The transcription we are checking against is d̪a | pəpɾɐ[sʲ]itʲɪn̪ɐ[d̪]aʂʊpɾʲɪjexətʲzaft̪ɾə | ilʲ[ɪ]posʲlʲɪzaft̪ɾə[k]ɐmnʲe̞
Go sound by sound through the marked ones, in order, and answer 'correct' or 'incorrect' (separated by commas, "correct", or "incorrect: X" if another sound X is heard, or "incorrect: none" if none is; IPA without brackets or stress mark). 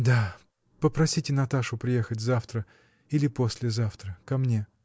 correct, incorrect: t̪, correct, correct